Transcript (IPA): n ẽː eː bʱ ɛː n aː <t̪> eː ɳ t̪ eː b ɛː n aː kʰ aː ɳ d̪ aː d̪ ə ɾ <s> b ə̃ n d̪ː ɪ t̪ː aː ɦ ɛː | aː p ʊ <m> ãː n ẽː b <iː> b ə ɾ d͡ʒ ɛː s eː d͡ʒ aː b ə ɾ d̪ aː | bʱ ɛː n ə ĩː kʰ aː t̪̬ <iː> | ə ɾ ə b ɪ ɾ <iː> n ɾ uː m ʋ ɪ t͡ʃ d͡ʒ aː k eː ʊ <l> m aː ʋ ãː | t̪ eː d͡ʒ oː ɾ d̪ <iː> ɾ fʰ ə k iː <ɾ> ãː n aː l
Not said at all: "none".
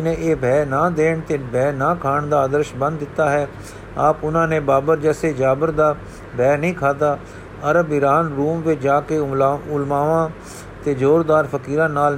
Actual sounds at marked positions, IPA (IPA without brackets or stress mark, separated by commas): d̪, ʃ, n, aː, aː, aː, l, aː, ɾ